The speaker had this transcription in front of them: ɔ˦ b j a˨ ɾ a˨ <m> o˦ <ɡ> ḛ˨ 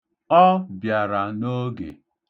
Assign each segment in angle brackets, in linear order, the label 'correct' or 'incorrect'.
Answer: incorrect: n, correct

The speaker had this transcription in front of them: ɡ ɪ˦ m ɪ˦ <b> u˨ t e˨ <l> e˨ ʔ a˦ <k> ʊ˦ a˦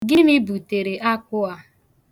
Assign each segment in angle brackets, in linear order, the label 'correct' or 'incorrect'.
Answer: correct, incorrect: ɾ, correct

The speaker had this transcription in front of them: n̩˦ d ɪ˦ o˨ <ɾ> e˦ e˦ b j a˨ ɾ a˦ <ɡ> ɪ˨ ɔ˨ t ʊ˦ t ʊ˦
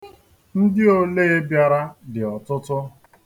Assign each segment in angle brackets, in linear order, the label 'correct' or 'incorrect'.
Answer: incorrect: l, incorrect: d

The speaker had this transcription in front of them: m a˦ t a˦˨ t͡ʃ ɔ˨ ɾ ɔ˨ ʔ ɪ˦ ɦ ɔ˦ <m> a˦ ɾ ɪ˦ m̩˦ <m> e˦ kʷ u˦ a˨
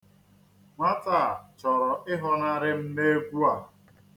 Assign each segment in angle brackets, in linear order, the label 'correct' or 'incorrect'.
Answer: incorrect: n, incorrect: n

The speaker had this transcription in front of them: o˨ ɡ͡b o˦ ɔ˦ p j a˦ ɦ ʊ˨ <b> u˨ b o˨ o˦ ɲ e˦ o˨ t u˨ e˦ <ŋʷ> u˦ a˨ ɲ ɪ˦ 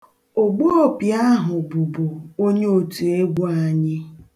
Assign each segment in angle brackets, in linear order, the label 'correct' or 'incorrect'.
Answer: correct, incorrect: ɡʷ

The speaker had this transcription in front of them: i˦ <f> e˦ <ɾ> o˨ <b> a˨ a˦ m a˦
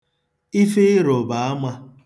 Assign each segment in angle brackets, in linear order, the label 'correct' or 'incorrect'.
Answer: correct, correct, correct

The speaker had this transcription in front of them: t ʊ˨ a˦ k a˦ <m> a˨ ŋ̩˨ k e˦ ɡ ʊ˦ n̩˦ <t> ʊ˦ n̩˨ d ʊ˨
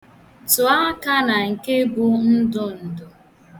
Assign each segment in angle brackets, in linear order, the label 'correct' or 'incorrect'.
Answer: incorrect: n, incorrect: d

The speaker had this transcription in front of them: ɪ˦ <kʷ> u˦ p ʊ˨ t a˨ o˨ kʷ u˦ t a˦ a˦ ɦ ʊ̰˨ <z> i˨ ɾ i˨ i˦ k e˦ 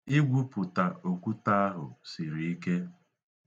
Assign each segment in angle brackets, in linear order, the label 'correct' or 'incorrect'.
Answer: incorrect: ɡʷ, incorrect: s

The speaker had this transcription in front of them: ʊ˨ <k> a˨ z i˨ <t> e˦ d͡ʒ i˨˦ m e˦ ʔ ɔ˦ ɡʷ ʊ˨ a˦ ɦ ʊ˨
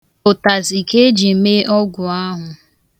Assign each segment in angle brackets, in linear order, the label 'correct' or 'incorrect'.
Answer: incorrect: t, incorrect: k

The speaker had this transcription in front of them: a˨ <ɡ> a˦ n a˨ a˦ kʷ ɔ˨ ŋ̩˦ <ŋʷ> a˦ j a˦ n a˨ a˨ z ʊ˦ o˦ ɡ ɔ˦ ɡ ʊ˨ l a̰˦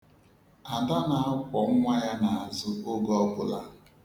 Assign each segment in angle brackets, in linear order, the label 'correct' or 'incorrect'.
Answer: incorrect: d, correct

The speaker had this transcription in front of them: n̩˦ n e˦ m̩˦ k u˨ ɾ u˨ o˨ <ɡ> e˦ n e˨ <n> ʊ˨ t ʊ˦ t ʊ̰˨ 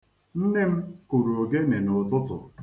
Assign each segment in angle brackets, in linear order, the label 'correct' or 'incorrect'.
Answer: correct, correct

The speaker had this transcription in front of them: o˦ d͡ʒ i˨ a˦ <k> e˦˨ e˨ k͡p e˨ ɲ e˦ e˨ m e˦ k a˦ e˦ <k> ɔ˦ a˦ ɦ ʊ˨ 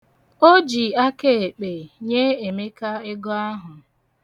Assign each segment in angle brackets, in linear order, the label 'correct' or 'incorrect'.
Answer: correct, incorrect: ɡ

